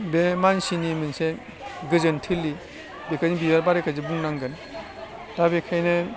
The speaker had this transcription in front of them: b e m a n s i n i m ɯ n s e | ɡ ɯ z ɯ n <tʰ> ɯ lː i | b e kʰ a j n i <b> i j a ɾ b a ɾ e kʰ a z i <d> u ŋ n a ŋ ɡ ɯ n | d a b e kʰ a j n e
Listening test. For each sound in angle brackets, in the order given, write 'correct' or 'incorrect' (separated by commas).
correct, correct, incorrect